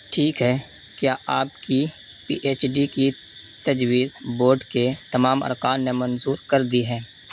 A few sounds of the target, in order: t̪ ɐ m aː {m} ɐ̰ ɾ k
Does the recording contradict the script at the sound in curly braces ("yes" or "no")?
no